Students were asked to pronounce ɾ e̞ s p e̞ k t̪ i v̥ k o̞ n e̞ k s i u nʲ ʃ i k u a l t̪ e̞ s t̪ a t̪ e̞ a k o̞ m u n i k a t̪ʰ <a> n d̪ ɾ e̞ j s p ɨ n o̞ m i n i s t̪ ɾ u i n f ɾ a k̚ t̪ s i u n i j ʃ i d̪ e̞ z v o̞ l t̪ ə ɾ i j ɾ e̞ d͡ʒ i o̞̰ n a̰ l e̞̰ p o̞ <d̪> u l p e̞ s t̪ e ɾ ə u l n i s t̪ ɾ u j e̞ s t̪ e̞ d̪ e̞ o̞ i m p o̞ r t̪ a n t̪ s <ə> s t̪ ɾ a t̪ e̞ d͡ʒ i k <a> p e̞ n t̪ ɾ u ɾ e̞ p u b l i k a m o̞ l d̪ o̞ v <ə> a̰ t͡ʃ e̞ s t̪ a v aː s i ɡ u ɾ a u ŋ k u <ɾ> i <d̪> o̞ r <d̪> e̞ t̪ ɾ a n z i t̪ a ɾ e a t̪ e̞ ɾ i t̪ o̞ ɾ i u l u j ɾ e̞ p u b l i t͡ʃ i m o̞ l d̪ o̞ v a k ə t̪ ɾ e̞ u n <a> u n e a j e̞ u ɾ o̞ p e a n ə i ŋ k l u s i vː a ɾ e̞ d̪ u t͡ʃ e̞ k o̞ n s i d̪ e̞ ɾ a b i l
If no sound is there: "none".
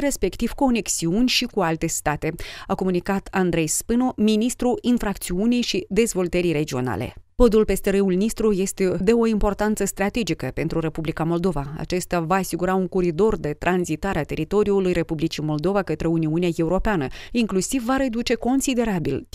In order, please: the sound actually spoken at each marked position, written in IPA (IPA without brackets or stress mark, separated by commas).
a, d̪, ə, ə, a, ɾ, d̪, d̪, i